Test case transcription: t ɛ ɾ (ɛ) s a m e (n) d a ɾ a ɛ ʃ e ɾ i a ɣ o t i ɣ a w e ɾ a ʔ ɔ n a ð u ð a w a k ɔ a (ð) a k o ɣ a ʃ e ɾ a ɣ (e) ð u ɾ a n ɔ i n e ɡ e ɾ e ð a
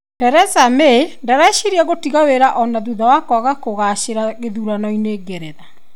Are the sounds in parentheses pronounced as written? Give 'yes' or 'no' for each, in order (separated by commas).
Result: yes, yes, no, yes